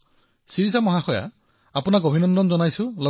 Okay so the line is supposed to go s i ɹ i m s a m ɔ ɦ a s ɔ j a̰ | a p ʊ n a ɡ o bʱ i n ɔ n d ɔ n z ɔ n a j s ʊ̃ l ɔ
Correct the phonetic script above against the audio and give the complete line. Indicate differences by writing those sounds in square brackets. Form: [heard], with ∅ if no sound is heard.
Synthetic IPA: s i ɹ i [∅] s a m ɔ ɦ a [x] ɔ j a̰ | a p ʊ n a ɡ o bʱ i n ɔ n d ɔ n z ɔ n a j s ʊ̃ l ɔ